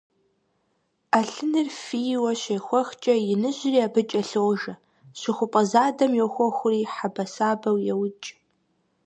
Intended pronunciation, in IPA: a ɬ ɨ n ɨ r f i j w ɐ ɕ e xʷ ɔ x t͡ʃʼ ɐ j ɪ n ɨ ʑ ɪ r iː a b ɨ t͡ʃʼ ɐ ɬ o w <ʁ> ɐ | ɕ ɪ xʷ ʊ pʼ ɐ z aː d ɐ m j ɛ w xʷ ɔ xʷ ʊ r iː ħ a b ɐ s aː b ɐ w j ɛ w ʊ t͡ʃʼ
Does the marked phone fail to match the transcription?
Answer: yes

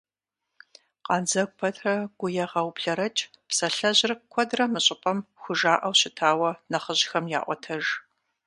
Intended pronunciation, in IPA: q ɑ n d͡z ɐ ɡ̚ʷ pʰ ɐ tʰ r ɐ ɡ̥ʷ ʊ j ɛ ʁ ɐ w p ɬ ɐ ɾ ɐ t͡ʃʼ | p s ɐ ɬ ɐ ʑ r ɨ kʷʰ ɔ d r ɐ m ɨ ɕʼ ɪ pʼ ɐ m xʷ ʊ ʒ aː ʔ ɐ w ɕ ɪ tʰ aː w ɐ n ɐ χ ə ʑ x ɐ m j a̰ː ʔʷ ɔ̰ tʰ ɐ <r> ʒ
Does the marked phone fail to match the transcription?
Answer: yes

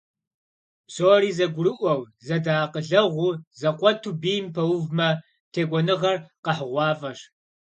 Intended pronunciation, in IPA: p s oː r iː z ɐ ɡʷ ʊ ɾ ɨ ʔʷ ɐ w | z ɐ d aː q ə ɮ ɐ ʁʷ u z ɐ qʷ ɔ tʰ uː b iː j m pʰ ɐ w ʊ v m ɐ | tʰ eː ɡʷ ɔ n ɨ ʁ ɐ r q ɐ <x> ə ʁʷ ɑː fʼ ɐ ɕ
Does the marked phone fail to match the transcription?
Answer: yes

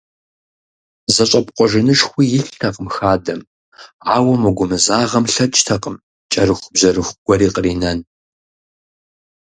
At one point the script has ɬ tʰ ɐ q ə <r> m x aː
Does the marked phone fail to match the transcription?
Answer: yes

